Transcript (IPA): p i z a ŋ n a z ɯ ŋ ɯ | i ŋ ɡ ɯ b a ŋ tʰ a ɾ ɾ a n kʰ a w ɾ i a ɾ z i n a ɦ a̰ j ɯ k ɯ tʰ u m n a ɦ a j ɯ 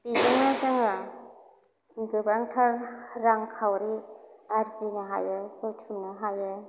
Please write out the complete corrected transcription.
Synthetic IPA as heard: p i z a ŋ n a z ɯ ŋ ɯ | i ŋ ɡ ɯ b a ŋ tʰ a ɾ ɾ a ŋ kʰ a w ɾ i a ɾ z i n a ɦ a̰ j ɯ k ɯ tʰ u m n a ɦ a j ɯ

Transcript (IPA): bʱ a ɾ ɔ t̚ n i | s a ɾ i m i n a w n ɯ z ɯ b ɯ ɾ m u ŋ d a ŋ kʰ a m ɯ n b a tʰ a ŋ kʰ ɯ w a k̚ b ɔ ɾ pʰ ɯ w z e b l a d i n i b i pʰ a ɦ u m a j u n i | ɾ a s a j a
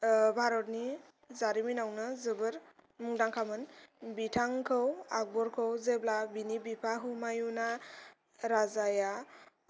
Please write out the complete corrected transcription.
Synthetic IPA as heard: bʱ a ɾ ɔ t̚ n i | z a ɾ i m i n a w n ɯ z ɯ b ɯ ɾ m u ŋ d a ŋ kʰ a m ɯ n b i tʰ a ŋ kʰ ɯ w a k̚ b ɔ ɾ kʰ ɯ w z e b l a b i n i b i pʰ a ɦ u m a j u n a | ɾ a z a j a

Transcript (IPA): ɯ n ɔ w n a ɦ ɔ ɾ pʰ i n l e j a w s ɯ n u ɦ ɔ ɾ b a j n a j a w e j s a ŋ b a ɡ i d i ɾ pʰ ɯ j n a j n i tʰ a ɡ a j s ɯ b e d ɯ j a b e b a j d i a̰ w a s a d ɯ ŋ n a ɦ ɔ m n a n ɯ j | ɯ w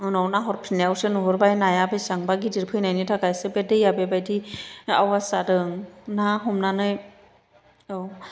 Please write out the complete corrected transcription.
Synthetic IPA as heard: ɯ n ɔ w n a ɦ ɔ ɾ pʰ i n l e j a w s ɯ n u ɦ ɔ ɾ b a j n a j a b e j s a ŋ b a ɡ i d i ɾ pʰ ɯ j n a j n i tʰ a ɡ a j s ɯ b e d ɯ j a b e b a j d i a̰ w a s a d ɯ ŋ n a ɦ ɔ m n a n ɯ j | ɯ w

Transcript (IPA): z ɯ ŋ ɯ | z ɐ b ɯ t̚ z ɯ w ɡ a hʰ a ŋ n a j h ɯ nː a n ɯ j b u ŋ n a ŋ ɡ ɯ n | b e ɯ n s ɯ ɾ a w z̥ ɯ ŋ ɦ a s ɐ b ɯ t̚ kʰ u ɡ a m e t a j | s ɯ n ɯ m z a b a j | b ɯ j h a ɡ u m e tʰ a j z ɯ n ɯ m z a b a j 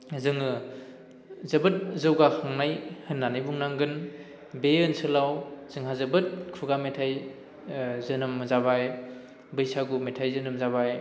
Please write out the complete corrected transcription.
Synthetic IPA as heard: z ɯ ŋ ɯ | z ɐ b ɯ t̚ z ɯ w ɡ a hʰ a ŋ n a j h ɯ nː a n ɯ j b u ŋ n a ŋ ɡ ɯ n | b e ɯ n s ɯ l a w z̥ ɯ ŋ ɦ a z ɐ b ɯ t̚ kʰ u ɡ a m e tʰ a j | z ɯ n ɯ m z a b a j | b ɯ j s a ɡ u m e tʰ a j z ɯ n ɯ m z a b a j

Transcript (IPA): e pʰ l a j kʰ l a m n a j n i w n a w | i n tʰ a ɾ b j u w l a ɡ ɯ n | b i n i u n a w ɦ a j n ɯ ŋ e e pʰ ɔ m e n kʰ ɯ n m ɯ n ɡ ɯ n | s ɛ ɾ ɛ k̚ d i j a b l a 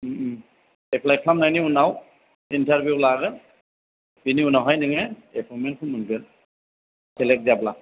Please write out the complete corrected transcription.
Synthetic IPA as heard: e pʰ l a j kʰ l a m n a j n i u n a w | i n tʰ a ɾ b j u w l a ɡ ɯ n | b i n i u n a w ɦ a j n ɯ ŋ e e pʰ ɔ m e n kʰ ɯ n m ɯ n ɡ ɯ n | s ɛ l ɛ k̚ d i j a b l a

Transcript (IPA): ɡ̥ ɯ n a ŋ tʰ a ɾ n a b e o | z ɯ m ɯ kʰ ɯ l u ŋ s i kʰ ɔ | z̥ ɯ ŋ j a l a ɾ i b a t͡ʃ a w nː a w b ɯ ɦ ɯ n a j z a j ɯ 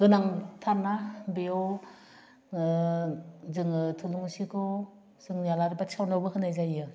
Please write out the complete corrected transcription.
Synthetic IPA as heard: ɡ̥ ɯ n a ŋ tʰ a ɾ n a b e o | z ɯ ŋ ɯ tʰ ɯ l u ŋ s i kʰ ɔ | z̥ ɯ ŋ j a l a ɾ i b a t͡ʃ a w n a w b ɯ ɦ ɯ n a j z a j ɯ

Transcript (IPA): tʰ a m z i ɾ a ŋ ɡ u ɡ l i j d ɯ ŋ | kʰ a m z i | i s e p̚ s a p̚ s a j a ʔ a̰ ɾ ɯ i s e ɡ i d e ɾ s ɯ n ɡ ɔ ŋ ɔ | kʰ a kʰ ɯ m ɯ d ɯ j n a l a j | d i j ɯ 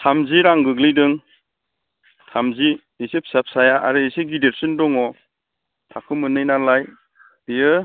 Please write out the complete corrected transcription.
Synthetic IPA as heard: tʰ a m z i ɾ a ŋ ɡ ɯ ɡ l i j d ɯ ŋ | tʰ a m z i | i s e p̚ s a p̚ s a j a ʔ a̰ ɾ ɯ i s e ɡ i d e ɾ s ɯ n d ɔ ŋ ɔ | tʰ a kʰ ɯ m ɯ n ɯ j n a l a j | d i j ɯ

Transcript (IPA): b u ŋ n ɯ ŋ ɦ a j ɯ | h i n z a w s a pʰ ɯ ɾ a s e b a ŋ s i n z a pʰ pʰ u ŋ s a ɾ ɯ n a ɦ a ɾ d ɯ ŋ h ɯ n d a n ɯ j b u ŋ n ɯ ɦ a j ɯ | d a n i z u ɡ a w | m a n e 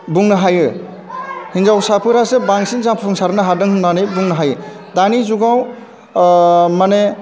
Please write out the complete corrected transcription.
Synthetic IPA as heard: b u ŋ n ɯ ɦ a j ɯ | h i n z a w s a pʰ ɯ ɾ a s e b a ŋ s i n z a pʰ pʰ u ŋ s a ɾ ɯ n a ɦ a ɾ d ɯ ŋ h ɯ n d a n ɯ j b u ŋ n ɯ ɦ a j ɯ | d a n i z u ɡ a w | m a n e

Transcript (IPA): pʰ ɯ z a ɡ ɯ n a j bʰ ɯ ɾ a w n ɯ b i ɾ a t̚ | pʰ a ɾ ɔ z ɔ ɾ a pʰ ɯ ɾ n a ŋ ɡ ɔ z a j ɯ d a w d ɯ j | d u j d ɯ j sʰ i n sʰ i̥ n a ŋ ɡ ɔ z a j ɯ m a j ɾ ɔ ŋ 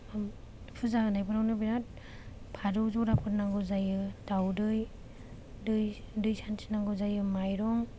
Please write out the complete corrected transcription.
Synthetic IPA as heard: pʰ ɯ z a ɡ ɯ n a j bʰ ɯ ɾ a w n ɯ b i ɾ a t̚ | pʰ a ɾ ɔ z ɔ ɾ a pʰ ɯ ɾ n a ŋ ɡ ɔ z a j ɯ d a w d ɯ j | d ɯ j d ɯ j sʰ a n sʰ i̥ n a ŋ ɡ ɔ z a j ɯ m a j ɾ ɔ ŋ

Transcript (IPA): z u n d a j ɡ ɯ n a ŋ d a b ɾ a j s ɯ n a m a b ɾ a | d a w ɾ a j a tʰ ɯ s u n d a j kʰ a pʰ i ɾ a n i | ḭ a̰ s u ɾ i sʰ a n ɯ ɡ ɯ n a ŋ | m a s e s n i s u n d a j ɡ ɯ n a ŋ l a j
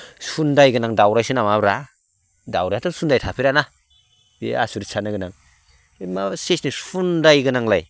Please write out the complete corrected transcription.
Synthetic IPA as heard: s u n d a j ɡ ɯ n a ŋ d a w ɾ a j s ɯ n a m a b ɾ a | d a w ɾ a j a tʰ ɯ s u n d a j tʰ a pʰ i ɾ a n a | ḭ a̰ s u ɾ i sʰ a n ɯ ɡ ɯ n a ŋ | m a s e s n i s u n d a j ɡ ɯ n a ŋ l a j

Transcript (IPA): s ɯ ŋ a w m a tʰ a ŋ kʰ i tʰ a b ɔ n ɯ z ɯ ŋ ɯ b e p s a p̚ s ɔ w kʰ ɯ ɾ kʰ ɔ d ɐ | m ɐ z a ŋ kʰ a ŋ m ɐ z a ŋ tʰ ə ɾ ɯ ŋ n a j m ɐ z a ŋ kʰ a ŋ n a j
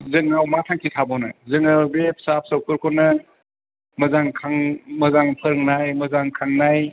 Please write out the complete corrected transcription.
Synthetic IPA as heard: z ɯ ŋ a w m a tʰ a ŋ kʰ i tʰ a b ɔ n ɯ z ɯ ŋ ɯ b e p s a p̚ s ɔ w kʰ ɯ ɾ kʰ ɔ n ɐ | m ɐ z a ŋ kʰ a ŋ m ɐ z a ŋ pʰ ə ɾ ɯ ŋ n a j m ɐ z a ŋ kʰ a ŋ n a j

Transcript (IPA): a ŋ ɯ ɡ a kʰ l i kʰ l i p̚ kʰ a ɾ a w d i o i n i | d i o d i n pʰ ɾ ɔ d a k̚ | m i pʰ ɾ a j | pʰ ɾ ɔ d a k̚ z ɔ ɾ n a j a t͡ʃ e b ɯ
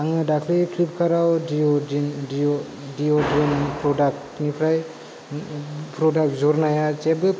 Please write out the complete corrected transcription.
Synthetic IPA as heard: a ŋ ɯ d a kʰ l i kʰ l i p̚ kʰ a ɾ a w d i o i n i | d i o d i n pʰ ɾ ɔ d a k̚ | n i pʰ ɾ a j | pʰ ɾ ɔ d a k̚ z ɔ ɾ n a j a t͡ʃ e b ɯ

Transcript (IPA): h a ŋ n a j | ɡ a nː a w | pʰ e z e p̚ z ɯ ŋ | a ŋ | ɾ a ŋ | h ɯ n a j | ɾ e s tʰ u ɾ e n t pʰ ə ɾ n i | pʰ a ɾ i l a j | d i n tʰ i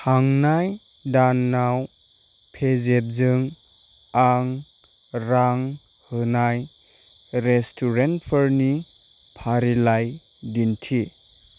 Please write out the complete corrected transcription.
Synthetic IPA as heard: h a ŋ n a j | d a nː a w | pʰ e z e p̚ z ɯ ŋ | a ŋ | ɾ a ŋ | h ɯ n a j | ɾ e s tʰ u ɾ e n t pʰ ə ɾ n i | pʰ a ɾ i l a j | d i n tʰ i

